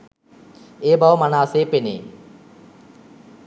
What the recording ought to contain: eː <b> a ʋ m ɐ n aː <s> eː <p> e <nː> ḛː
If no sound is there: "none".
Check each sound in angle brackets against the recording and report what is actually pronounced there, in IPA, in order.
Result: b, s, p, n

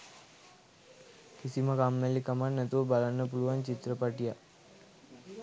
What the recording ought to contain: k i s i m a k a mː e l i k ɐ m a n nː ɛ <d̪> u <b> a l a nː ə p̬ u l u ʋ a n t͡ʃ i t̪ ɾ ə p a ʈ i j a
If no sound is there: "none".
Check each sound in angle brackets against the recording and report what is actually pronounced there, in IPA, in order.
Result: t̪, b

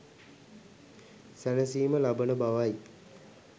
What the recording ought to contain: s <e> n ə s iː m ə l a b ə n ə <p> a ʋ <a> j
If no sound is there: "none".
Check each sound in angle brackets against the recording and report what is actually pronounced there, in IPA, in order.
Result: æ, b, a

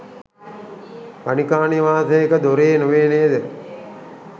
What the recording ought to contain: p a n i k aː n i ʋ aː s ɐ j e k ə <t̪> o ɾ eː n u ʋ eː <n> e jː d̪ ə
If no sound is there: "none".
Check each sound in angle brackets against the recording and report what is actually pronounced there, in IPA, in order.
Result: d̪, n

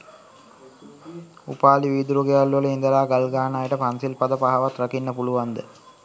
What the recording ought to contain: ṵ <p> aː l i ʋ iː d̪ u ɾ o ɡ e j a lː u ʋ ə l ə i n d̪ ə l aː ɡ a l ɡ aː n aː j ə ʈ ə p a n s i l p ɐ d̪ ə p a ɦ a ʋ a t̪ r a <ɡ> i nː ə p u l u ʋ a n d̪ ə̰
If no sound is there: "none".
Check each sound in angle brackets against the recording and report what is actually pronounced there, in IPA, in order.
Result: p, k

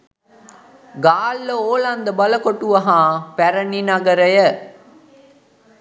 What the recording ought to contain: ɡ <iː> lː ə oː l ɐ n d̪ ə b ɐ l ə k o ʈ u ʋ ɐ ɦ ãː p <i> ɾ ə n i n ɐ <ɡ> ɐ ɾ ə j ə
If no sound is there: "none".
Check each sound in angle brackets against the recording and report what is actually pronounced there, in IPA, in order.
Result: aː, æ, ɡ

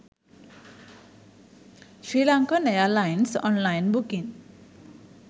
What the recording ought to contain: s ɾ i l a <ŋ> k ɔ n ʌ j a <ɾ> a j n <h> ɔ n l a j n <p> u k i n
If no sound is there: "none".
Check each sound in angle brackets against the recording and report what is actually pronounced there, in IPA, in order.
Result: ŋ, l, s, b

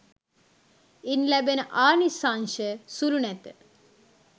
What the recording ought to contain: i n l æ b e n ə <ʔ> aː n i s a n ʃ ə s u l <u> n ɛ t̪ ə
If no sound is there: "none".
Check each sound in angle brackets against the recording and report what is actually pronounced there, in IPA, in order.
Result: ʔ, u

